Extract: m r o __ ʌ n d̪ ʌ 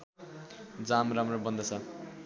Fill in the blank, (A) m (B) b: B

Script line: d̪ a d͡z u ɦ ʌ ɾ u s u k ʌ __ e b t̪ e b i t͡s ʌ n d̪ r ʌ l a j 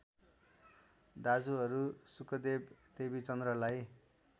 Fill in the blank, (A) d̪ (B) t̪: A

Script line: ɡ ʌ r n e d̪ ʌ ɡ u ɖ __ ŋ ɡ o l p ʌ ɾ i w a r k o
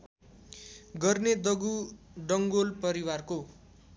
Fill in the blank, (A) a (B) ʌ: B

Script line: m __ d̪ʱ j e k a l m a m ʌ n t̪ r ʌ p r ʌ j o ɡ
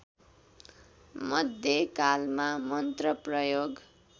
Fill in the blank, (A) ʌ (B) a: A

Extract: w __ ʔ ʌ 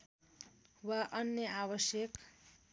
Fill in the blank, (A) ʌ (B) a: B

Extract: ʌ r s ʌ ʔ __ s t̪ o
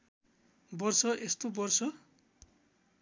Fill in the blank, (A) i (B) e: B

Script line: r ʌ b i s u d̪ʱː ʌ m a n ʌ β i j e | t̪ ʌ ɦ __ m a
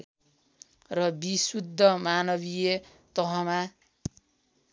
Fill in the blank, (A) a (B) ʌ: B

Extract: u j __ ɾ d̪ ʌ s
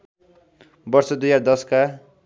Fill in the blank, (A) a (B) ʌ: A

